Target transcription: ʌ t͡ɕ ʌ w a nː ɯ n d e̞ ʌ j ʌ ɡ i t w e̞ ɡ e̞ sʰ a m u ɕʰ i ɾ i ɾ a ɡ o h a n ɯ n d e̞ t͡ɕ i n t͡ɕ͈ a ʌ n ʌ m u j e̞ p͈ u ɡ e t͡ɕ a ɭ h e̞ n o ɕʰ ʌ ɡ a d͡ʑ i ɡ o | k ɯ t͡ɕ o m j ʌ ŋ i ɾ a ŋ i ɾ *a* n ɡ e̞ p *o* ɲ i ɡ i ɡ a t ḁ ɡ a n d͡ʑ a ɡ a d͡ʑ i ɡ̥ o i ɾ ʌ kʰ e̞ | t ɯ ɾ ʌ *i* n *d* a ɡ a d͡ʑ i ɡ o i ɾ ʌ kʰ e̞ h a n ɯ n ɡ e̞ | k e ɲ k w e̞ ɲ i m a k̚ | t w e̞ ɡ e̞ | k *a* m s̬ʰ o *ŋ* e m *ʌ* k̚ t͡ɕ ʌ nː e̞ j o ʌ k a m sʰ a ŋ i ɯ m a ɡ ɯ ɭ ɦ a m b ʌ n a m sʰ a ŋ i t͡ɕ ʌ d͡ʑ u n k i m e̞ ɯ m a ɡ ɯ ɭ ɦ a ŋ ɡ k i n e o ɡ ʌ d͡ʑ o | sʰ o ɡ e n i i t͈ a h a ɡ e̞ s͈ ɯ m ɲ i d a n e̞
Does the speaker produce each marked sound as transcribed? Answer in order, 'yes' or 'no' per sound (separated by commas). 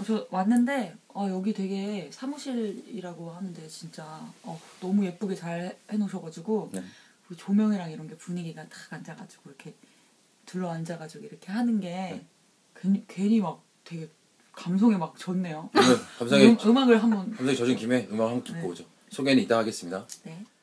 no, no, no, no, yes, yes, no